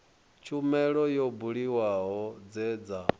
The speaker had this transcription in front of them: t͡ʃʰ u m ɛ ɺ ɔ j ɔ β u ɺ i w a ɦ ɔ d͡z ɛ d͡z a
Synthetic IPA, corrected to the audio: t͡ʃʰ u m ɛ ɺ ɔ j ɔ b u ɺ i w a ɦ ɔ d͡z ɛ d͡z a